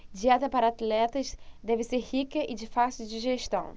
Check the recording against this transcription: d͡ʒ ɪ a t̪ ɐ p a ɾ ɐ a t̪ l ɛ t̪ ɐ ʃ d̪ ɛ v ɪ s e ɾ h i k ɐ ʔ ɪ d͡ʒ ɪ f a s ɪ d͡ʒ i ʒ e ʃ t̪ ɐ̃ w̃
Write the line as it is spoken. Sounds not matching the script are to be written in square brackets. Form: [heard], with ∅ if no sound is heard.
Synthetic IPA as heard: d͡ʒ [i] a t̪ ɐ p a ɾ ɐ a t̪ l ɛ t̪ ɐ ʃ d̪ ɛ v ɪ s e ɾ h i k ɐ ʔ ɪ d͡ʒ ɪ f a s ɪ d͡ʒ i ʒ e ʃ t̪ ɐ̃ w̃